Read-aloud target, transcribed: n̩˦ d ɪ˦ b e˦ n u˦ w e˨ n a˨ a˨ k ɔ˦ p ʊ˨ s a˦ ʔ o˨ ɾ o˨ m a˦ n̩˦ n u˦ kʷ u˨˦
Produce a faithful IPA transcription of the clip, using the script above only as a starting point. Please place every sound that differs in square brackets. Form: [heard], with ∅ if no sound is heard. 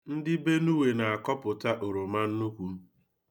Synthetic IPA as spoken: n̩˦ d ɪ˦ b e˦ n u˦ w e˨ n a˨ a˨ k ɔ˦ p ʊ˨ [t] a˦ ʔ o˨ ɾ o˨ m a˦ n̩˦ n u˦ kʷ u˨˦